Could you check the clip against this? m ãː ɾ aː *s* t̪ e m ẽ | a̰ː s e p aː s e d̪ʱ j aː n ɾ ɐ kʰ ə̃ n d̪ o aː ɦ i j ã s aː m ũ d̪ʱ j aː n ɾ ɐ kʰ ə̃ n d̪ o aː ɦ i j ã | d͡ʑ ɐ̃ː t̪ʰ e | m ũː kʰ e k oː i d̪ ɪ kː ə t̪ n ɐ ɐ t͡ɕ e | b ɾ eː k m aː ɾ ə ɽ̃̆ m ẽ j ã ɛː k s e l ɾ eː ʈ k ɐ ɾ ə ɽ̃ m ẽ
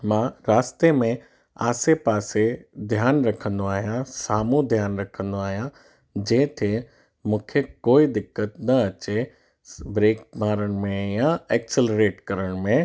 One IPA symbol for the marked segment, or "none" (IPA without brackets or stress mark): s